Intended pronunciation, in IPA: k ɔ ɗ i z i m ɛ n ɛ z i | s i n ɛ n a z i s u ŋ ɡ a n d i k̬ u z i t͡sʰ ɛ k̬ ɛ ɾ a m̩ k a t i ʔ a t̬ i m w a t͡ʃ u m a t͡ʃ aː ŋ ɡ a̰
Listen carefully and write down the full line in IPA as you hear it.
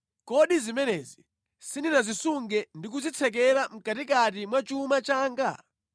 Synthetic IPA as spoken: k ɔ ɗ i z i m ɛ n ɛ z i | s i n i n a z i s u ŋ ɡ ɛ n d i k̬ u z i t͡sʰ ɛ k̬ ɛ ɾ a m̩ k a t i k a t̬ i m w a t͡ʃ u m a t͡ʃ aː ŋ ɡ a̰